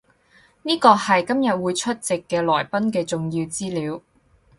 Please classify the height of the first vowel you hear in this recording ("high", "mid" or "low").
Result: high